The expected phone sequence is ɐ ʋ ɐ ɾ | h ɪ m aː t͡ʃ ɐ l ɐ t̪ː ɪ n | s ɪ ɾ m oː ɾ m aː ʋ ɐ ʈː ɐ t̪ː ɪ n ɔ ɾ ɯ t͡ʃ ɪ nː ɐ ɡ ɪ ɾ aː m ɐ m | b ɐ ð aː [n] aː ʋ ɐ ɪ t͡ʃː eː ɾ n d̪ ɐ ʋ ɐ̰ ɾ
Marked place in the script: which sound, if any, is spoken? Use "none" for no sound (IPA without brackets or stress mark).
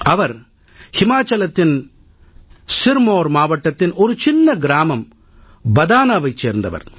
n